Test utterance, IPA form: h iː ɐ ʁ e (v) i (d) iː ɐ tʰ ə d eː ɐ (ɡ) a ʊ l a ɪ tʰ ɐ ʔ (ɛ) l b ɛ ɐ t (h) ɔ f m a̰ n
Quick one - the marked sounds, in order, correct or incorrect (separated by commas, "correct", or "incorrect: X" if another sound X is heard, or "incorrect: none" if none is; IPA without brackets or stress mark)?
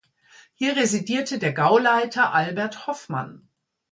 incorrect: z, correct, correct, incorrect: a, correct